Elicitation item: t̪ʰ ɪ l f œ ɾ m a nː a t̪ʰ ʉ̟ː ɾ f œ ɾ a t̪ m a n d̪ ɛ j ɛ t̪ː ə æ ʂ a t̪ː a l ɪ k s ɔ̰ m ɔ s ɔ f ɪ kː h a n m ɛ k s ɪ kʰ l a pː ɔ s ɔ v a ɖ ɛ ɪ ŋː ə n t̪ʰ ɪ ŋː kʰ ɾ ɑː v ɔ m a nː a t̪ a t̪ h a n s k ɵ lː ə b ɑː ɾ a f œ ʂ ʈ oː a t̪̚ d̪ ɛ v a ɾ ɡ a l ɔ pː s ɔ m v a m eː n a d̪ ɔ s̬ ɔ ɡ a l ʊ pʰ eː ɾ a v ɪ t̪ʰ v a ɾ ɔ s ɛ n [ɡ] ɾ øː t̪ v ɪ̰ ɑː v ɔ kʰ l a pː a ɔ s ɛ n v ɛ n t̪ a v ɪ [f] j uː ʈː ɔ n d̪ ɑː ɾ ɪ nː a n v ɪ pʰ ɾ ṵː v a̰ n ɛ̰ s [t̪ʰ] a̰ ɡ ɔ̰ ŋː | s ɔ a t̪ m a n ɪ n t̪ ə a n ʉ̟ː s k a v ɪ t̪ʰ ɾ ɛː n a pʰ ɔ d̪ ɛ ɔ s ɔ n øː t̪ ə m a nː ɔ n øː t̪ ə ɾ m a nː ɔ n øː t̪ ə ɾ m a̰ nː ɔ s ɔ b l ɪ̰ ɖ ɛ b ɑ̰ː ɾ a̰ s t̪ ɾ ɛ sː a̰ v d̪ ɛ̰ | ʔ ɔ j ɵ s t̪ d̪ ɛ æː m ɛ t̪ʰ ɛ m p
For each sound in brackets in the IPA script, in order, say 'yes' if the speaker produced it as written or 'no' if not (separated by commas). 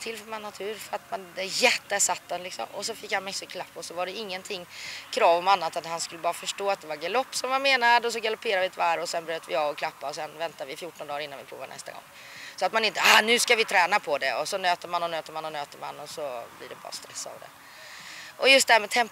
no, yes, no